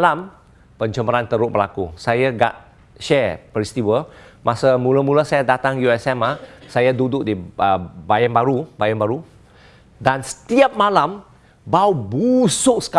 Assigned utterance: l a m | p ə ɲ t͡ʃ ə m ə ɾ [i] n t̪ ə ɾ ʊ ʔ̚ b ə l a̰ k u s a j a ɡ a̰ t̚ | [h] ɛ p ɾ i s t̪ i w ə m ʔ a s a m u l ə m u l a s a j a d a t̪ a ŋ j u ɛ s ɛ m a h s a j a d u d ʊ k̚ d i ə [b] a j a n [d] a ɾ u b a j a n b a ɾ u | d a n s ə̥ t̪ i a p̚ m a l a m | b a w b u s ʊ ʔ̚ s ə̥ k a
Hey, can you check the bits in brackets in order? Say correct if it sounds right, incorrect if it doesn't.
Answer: incorrect, incorrect, correct, incorrect

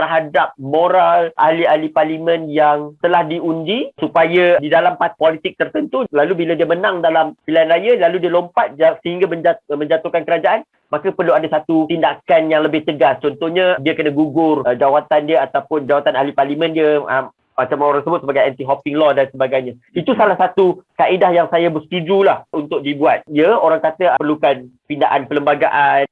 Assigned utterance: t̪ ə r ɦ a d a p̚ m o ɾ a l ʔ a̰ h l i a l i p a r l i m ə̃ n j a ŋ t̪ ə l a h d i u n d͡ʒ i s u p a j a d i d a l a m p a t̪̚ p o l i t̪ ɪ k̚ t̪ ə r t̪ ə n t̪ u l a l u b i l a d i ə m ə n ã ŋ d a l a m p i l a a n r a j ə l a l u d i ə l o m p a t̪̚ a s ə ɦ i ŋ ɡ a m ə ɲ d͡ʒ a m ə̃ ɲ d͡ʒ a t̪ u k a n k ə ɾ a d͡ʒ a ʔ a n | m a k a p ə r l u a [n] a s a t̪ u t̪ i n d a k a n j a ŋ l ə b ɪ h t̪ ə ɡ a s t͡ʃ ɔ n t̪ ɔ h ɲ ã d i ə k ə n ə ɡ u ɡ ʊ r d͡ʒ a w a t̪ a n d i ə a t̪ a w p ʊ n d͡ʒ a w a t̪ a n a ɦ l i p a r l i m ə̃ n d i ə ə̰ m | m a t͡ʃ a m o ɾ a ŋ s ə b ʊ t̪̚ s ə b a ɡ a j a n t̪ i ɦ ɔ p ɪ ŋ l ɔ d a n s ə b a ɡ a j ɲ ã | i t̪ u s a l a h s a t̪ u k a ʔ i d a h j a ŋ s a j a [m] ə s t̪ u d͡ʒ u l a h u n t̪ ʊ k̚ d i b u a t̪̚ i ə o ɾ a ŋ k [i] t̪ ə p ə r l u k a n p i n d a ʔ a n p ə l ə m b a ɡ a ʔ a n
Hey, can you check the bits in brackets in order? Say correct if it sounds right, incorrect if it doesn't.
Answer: incorrect, incorrect, incorrect

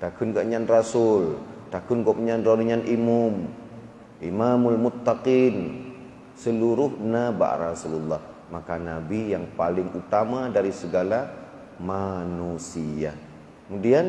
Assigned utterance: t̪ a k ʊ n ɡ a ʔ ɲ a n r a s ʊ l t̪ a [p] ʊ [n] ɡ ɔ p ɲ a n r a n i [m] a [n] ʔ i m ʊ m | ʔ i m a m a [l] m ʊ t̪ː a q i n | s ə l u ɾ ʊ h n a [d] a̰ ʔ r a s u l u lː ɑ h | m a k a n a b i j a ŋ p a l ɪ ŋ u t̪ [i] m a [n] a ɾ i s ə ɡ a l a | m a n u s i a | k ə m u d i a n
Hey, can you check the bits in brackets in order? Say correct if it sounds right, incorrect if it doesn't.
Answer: incorrect, correct, incorrect, correct, correct, incorrect, incorrect, incorrect

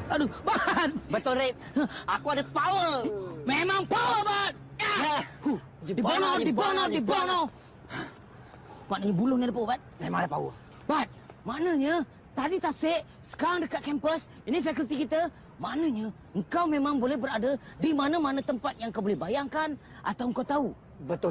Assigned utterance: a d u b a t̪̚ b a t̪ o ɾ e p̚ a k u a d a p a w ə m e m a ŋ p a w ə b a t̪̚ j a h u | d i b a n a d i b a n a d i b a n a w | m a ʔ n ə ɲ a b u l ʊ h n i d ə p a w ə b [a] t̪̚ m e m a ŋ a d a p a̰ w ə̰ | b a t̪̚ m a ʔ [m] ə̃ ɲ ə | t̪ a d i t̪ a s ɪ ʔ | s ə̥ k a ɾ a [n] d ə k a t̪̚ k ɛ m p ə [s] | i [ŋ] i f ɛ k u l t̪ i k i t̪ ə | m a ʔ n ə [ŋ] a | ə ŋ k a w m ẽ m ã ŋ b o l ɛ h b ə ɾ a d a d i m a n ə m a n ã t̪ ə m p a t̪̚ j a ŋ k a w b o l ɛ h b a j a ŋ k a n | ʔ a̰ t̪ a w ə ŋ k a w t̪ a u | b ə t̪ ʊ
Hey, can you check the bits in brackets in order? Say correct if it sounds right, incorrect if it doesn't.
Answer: correct, incorrect, incorrect, correct, incorrect, incorrect

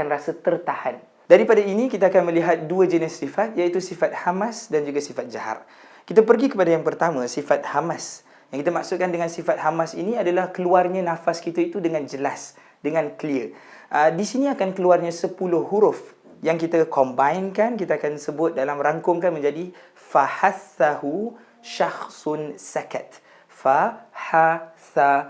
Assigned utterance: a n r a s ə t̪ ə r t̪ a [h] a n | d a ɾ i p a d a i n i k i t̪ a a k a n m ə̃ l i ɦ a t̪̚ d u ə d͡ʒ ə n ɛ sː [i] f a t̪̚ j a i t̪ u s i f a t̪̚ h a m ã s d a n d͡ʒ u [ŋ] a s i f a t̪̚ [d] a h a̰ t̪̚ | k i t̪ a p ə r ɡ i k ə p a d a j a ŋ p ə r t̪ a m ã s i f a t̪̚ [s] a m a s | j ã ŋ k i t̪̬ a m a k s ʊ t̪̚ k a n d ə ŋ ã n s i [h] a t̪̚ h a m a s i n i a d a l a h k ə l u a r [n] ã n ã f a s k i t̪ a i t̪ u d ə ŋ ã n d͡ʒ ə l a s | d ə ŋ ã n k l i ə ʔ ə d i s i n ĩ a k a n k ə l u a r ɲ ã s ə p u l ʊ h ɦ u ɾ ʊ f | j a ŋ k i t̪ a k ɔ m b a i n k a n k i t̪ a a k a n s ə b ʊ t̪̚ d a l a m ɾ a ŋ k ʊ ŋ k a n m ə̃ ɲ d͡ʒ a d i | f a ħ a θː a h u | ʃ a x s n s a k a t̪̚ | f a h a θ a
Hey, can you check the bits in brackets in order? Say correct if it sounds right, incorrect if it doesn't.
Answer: correct, correct, incorrect, incorrect, incorrect, incorrect, incorrect

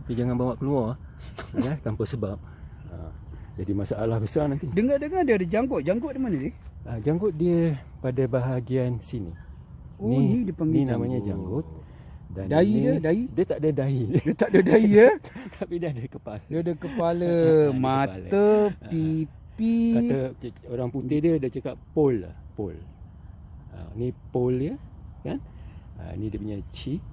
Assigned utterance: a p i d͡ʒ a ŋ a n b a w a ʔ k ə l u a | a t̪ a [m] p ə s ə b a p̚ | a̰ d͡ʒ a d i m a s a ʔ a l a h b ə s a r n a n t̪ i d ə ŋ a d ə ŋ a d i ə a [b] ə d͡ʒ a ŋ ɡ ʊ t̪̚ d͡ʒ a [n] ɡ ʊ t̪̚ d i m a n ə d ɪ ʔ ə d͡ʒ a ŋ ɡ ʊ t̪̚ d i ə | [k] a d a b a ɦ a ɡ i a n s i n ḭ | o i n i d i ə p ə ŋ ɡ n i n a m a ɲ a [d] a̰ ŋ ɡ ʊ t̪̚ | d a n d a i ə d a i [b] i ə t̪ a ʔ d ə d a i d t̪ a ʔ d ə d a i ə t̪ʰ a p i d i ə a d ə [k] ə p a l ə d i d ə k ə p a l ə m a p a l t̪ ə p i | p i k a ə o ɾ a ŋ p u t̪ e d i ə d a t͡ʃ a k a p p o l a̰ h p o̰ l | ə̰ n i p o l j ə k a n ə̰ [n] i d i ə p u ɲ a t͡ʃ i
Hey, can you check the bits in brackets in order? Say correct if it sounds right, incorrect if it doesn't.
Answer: correct, incorrect, incorrect, incorrect, incorrect, incorrect, correct, correct

